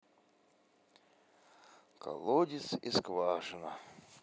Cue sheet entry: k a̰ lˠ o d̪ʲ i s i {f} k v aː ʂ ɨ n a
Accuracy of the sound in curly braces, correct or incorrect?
incorrect